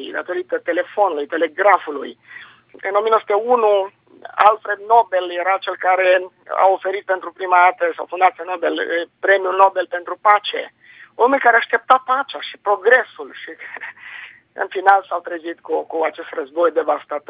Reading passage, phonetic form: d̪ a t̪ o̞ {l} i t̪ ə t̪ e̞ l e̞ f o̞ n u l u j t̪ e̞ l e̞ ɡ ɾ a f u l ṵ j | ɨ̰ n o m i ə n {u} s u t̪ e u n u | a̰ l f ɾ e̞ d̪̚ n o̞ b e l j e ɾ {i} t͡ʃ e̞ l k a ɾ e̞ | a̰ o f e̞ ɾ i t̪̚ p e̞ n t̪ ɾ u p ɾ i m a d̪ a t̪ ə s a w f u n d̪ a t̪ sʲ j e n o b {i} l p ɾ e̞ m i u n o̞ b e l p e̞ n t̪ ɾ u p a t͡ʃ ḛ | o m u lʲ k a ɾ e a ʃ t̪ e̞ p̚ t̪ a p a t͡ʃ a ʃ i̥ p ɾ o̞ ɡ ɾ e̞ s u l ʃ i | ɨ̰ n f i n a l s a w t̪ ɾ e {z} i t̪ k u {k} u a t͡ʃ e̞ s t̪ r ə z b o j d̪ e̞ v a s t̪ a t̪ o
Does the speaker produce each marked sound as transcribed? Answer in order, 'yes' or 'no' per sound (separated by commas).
no, no, no, no, yes, yes